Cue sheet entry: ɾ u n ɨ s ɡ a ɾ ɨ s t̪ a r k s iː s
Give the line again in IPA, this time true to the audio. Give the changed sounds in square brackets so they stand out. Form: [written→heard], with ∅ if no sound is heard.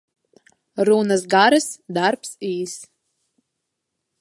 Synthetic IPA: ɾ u n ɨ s ɡ a ɾ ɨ s [t̪→d̪] a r [k→p] s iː s